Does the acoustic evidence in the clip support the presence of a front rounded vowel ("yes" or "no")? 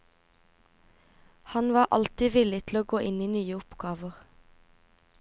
yes